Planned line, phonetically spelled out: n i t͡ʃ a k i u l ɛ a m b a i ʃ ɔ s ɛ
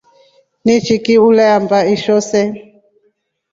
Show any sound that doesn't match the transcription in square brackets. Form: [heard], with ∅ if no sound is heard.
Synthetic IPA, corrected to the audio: n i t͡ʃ [i] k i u l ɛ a m b a i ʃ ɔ s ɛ